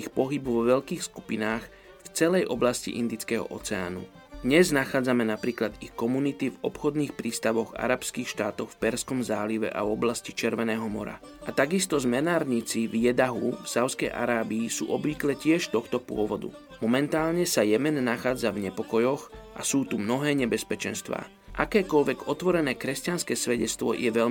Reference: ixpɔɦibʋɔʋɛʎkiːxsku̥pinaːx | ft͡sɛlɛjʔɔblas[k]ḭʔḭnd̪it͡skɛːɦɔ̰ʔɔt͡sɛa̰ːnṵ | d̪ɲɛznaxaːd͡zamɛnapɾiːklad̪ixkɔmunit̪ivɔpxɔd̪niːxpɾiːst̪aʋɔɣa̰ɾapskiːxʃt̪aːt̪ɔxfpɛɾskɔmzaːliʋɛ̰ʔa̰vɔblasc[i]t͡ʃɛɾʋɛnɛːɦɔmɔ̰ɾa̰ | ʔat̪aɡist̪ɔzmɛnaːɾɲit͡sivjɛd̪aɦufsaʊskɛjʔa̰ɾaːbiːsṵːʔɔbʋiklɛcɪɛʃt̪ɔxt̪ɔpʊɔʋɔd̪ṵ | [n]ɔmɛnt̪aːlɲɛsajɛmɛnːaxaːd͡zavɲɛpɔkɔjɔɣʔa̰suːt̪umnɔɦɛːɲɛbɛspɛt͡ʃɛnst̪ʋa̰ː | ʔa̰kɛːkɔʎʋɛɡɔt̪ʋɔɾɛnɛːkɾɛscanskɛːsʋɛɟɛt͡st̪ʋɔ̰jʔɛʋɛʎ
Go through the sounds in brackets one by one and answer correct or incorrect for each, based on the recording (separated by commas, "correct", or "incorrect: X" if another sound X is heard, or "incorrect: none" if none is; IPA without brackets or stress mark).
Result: incorrect: c, correct, incorrect: m